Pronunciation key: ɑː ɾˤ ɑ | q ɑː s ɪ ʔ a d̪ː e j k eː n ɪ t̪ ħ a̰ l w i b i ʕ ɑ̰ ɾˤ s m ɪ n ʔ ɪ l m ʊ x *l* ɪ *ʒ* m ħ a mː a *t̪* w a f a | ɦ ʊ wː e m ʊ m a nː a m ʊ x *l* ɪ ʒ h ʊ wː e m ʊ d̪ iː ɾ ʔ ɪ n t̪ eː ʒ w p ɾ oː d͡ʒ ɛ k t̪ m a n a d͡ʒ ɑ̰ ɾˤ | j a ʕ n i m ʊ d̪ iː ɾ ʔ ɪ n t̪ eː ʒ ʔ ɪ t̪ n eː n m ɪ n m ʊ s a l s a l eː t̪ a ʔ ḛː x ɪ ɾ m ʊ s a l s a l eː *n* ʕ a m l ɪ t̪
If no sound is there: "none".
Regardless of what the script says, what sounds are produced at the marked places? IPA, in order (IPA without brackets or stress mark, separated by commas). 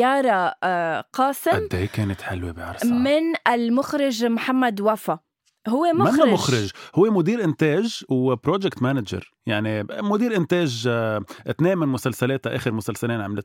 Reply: ɾ, ʒ, d̪, ɾ, n